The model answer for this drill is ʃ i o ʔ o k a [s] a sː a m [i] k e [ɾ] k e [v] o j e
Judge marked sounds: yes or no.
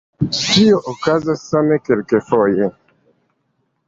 no, no, no, no

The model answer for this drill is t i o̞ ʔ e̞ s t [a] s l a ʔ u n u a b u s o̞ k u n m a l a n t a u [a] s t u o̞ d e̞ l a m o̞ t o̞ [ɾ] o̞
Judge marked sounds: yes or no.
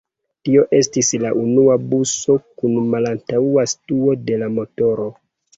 no, yes, yes

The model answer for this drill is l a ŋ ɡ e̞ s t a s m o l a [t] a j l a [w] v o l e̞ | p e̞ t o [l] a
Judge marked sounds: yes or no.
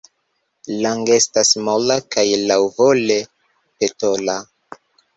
no, yes, yes

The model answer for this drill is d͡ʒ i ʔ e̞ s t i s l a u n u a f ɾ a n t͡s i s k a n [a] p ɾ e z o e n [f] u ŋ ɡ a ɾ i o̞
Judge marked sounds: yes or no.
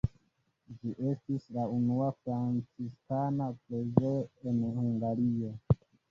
yes, no

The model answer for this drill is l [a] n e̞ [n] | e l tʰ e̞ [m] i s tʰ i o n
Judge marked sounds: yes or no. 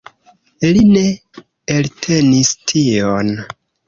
no, no, no

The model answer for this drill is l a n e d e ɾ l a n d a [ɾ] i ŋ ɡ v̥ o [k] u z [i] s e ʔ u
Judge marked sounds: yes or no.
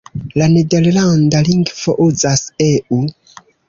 no, no, no

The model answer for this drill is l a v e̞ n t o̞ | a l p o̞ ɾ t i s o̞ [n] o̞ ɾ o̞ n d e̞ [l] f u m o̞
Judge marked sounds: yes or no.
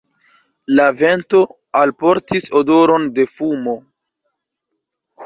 no, no

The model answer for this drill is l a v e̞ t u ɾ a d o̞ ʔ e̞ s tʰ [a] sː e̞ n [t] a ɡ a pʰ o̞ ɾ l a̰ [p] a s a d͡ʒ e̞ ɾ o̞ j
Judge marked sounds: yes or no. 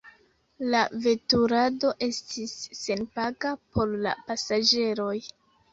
no, no, yes

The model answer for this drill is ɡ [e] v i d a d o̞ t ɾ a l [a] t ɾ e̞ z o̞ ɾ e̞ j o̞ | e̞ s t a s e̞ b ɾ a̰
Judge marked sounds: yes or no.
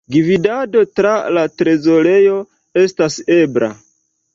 no, yes

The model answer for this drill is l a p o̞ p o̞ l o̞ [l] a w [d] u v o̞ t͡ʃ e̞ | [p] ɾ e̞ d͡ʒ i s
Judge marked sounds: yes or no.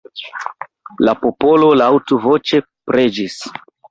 yes, no, yes

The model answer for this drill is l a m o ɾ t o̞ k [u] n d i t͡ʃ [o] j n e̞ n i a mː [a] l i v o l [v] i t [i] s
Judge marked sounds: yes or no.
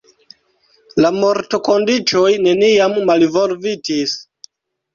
no, yes, yes, yes, yes

